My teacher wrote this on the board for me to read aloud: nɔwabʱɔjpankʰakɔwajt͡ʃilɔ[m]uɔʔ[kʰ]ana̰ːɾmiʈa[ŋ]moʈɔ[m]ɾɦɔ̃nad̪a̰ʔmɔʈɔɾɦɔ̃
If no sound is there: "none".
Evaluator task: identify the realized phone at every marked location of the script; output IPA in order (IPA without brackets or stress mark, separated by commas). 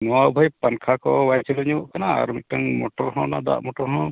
ɲ, k, ŋ, none